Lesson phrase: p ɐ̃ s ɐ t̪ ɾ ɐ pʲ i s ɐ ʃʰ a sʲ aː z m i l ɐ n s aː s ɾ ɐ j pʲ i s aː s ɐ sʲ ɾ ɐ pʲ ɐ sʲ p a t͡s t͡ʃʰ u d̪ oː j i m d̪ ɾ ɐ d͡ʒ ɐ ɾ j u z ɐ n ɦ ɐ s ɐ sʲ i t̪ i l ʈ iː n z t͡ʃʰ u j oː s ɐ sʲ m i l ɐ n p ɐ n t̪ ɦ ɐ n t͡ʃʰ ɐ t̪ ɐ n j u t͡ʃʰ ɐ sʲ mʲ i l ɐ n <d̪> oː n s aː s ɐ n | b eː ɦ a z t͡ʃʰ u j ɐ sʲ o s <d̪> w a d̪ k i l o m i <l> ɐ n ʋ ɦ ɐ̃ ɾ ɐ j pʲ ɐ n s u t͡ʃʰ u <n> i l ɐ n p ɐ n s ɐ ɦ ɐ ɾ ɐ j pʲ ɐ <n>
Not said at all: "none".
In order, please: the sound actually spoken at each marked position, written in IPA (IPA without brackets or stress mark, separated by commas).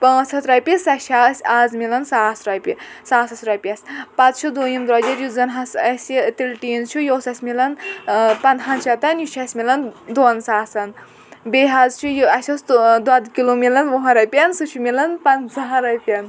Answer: d̪, d̪, l, m, n